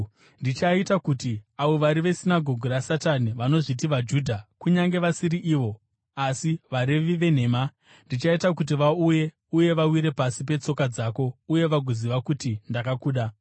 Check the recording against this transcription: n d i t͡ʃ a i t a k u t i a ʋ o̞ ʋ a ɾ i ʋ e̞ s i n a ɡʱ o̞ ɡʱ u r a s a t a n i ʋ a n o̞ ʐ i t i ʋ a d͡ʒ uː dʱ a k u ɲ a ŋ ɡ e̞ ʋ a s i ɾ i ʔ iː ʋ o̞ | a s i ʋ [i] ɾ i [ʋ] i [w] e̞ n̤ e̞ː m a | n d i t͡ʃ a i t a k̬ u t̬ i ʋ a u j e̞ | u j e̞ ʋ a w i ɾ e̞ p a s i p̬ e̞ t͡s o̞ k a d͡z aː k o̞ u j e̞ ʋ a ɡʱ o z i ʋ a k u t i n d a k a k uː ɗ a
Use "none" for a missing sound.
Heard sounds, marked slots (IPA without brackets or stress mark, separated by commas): a, ʋ, ʋ